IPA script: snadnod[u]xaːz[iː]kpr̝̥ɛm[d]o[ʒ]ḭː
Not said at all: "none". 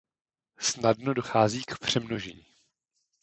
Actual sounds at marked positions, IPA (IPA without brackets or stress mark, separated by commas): o, iː, n, ʒ